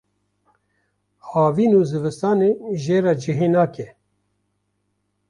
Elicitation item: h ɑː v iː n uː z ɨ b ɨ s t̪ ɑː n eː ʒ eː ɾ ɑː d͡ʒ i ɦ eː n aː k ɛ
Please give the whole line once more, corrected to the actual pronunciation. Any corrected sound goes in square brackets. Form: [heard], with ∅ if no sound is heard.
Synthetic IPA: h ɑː v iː n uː z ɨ [v] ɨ s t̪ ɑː n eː ʒ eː ɾ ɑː d͡ʒ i ɦ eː n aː k ɛ

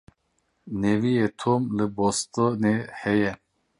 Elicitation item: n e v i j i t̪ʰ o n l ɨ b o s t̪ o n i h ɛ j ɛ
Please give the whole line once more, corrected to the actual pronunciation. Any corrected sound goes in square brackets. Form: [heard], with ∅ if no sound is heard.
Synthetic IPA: n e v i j [e] t̪ʰ o [m] l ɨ b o s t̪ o n [e] h ɛ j ɛ

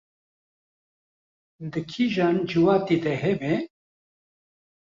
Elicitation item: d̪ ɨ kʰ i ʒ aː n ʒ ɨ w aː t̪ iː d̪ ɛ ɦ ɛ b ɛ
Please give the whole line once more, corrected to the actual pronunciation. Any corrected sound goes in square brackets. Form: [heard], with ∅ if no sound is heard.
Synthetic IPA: d̪ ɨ kʰ i ʒ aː n [d͡ʒ] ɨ w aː t̪ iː d̪ ɛ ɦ ɛ b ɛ

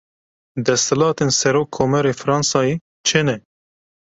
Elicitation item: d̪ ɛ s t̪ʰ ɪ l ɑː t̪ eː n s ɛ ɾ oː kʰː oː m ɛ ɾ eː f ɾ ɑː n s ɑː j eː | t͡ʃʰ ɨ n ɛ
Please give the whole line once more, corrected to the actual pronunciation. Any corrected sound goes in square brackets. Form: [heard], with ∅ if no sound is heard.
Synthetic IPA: d̪ ɛ s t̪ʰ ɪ l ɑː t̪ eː n s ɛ ɾ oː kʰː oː m ɛ ɾ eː f ɾ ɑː n s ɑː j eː | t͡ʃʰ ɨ n ɛ

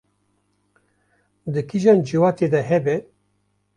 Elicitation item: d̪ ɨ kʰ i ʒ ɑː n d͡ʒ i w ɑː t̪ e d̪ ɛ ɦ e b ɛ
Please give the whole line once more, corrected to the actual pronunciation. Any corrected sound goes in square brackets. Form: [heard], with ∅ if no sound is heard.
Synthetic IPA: d̪ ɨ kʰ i ʒ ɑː n d͡ʒ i w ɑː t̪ e d̪ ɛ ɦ [ɛ] b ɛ

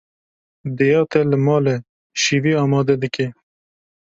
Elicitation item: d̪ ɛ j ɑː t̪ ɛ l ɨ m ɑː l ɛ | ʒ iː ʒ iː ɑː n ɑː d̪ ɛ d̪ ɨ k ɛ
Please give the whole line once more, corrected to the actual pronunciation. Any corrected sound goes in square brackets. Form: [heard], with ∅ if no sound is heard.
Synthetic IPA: d̪ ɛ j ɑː t̪ ɛ l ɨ m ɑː l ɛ | [ʃ] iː [v] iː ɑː [m] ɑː d̪ ɛ d̪ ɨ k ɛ

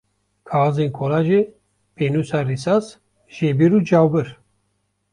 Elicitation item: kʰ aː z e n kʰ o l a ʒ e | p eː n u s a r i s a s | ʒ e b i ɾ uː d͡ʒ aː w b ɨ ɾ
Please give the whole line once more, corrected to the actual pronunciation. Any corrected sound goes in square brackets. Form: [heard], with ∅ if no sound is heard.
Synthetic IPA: kʰ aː z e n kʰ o l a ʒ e | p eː n u s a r i s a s | ʒ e b i ɾ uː d͡ʒ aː w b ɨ ɾ

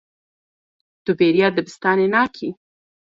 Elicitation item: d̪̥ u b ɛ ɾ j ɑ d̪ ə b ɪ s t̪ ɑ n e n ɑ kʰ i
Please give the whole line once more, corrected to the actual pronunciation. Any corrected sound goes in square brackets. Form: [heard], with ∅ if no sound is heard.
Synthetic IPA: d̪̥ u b [e] ɾ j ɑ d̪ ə b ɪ s t̪ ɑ n e n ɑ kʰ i

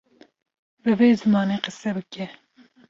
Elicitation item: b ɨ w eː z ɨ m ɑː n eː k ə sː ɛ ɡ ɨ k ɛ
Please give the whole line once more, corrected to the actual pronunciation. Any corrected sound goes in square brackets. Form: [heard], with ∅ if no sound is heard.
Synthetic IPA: b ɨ [v] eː z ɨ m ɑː n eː [q] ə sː ɛ [b] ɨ k ɛ

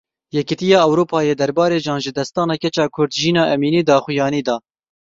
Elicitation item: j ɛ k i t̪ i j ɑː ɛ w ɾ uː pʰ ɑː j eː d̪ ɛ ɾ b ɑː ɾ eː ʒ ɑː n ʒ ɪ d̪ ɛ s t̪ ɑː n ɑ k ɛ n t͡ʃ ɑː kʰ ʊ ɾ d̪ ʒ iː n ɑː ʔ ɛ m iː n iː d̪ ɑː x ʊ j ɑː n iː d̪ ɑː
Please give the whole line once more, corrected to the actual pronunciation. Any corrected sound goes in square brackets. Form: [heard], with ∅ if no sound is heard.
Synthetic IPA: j ɛ k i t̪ i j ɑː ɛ w ɾ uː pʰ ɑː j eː d̪ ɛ ɾ b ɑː ɾ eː ʒ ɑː n ʒ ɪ d̪ ɛ s t̪ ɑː n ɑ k ɛ [∅] t͡ʃ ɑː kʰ ʊ ɾ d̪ ʒ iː n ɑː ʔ ɛ m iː n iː d̪ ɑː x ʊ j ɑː n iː d̪ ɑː

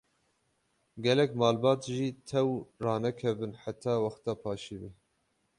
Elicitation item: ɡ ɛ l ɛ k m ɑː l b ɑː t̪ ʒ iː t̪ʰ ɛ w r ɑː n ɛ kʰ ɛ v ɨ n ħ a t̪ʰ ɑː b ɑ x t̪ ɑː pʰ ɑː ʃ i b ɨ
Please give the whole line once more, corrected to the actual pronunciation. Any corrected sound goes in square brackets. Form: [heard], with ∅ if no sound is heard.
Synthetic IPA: ɡ ɛ l ɛ k m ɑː l b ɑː t̪ ʒ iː t̪ʰ ɛ w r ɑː n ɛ kʰ ɛ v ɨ n ħ a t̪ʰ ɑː [w] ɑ x t̪ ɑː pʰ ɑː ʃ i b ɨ

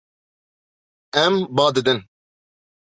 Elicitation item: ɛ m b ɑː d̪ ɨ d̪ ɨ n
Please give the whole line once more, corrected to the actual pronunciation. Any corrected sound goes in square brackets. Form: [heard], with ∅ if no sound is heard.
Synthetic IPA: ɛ m b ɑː d̪ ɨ d̪ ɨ n

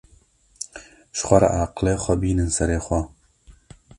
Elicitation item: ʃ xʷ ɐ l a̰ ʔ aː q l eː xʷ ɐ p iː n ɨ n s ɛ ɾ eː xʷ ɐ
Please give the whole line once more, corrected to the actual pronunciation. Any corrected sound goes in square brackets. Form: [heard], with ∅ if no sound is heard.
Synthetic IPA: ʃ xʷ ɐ [ɾ] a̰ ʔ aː q l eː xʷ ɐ [b] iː n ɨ n s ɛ ɾ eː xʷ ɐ

